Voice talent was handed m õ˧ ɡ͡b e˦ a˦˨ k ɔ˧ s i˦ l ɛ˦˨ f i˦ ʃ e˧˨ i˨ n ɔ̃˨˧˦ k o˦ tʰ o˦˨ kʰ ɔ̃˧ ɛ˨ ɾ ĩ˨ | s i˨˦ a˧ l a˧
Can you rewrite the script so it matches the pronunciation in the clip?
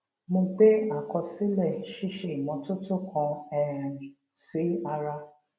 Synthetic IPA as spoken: m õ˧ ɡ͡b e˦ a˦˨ k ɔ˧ s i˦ l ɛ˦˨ ʃ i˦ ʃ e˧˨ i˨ m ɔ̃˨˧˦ t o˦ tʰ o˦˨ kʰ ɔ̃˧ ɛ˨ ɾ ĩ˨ | s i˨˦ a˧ ɾ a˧